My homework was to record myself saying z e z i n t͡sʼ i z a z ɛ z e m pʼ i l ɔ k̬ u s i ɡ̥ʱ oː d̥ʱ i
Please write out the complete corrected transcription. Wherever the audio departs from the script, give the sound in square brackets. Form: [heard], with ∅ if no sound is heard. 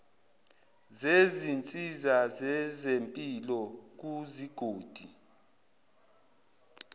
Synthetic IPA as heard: z e z i n t͡sʼ i z a z ɛ z e m pʼ i l ɔ k̬ u [z] i ɡ̥ʱ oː d̥ʱ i